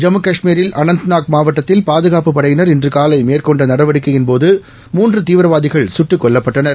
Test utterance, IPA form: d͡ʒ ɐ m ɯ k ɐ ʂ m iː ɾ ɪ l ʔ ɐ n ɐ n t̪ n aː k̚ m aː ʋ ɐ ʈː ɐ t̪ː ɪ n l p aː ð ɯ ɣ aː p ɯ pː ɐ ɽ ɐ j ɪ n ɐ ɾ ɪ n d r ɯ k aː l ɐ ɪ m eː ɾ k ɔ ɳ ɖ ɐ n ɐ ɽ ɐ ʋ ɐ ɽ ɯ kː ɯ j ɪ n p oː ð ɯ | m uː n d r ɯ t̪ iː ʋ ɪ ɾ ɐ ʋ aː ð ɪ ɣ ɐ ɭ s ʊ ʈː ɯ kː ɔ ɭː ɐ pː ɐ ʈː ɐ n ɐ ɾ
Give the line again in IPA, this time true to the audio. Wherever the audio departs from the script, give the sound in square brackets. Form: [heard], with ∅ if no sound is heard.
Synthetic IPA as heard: d͡ʒ ɐ m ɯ k ɐ ʂ m iː ɾ ɪ l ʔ ɐ n ɐ n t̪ n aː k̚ m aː ʋ ɐ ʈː ɐ t̪ː ɪ [∅] l p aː ð ɯ ɣ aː p ɯ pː ɐ ɽ ɐ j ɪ n ɐ ɾ ɪ n d r ɯ k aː l ɐ ɪ m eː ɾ k ɔ ɳ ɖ ɐ n ɐ ɽ ɐ ʋ ɐ ɽ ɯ kː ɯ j ɪ n p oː ð ɯ | m uː n d r ɯ t̪ iː ʋ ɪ ɾ ɐ ʋ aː ð ɪ ɣ ɐ ɭ s ʊ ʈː ɯ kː ɔ ɭː ɐ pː ɐ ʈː ɐ n ɐ ɾ